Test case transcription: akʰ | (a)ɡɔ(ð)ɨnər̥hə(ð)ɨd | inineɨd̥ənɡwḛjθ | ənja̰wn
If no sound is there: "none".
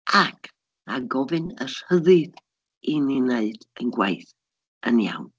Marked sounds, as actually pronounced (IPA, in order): a, v, ð

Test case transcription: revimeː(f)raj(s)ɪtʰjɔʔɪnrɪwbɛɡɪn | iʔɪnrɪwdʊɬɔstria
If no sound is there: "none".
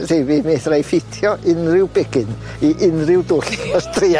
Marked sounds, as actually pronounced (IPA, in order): θ, f

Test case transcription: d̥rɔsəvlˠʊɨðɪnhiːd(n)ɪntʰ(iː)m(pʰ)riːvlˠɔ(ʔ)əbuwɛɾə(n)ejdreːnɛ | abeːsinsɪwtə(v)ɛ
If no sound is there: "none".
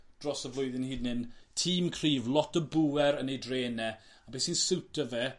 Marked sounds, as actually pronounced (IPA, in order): n, iː, kʰ, t, n, v

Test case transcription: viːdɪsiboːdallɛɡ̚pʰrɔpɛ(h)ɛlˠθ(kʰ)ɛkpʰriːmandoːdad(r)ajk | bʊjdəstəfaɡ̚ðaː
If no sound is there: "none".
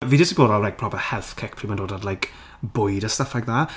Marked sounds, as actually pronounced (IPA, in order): h, kʰ, l

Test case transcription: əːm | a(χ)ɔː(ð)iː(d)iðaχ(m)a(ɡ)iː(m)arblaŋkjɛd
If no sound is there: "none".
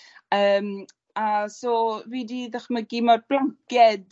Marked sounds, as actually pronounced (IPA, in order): s, v, d, m, ɡ, m

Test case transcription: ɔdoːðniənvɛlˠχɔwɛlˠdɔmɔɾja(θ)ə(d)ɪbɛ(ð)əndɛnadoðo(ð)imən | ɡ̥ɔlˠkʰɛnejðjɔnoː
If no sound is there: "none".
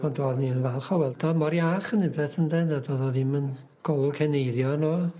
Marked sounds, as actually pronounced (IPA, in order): χ, n, θ, ð

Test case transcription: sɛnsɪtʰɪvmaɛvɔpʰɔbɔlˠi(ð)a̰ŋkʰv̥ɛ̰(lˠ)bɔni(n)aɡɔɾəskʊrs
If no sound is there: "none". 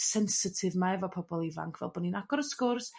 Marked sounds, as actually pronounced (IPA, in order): v, lˠ, n

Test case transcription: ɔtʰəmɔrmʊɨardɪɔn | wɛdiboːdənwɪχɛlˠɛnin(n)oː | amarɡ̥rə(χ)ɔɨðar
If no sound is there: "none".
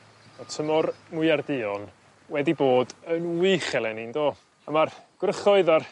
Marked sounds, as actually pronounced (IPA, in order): d, χ

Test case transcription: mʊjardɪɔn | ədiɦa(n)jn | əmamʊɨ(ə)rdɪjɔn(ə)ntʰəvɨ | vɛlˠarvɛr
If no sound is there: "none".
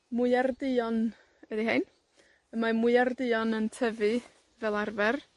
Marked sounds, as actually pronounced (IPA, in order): none, a, ə

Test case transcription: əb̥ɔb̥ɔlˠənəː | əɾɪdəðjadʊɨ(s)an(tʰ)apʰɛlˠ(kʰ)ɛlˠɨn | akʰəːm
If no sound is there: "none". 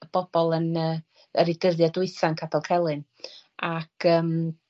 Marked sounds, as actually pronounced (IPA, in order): θ, kʰ, kʰ

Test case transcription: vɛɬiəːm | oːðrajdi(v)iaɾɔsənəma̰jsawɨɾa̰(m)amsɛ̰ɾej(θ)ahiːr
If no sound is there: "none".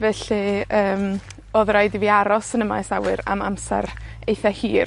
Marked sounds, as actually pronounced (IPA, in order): v, m, θ

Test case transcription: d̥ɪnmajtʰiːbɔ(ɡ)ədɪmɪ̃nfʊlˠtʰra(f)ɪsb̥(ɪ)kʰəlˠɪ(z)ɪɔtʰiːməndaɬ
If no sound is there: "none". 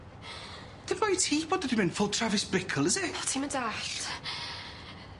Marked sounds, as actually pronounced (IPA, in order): d, v, ɪ, z

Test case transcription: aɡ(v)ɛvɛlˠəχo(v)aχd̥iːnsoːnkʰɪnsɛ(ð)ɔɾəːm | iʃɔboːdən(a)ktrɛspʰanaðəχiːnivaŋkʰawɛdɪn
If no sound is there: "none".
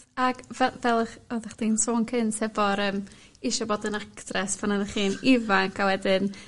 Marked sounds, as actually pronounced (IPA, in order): v, ð, v, a

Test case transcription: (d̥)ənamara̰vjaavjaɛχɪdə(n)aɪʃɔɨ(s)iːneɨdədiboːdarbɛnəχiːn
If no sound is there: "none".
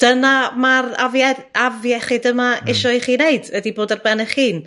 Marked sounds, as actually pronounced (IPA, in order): d̥, m, χ

